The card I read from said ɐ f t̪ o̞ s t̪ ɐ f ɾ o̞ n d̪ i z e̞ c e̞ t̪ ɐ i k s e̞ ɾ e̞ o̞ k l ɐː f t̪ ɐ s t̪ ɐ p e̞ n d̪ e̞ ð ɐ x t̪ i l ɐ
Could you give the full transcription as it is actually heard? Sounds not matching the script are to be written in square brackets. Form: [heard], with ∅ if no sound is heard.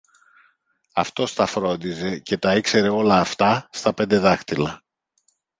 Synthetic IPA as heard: ɐ f t̪ o̞ s t̪ ɐ f ɾ o̞ n d̪ i z e̞ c e̞ t̪ ɐ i k s e̞ ɾ e̞ o̞ [∅] l ɐː f t̪ ɐ s t̪ ɐ p e̞ n d̪ e̞ ð ɐ x t̪ i l ɐ